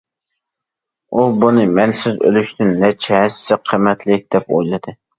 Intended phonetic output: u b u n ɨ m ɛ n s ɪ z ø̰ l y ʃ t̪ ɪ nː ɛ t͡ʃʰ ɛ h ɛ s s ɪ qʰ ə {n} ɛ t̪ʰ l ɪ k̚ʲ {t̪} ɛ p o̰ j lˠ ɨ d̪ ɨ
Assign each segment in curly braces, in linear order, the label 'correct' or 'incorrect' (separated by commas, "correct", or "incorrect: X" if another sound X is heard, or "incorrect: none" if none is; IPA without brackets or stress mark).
incorrect: m, incorrect: d̪